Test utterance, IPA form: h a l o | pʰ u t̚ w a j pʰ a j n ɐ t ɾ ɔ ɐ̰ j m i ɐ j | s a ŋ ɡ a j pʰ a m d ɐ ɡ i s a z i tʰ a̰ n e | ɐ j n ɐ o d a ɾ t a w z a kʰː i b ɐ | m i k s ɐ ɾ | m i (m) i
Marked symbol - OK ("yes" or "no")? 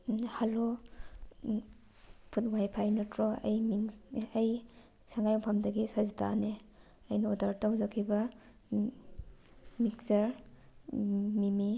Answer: yes